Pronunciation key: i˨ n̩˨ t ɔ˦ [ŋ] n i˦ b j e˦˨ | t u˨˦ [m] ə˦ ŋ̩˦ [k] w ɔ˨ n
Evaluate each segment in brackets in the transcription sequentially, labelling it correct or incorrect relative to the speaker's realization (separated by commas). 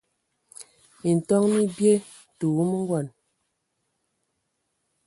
correct, correct, incorrect